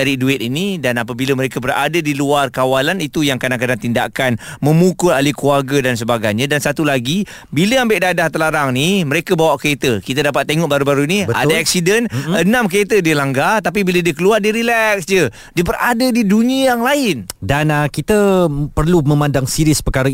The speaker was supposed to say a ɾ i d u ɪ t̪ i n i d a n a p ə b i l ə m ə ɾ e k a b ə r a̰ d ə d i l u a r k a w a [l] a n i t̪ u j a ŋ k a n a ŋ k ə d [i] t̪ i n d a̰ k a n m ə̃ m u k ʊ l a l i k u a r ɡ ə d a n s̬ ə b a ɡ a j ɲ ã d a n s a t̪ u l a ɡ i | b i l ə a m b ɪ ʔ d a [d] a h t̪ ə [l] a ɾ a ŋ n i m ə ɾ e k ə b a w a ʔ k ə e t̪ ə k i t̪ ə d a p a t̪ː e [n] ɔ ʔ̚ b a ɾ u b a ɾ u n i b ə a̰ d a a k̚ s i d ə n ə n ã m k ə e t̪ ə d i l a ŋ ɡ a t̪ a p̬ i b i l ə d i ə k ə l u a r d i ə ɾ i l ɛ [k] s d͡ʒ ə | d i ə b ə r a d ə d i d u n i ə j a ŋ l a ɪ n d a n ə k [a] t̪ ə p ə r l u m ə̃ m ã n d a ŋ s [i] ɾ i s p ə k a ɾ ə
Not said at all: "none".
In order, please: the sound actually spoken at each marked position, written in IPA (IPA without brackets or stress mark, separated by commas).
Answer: l, a, d, l, ŋ, k, i, i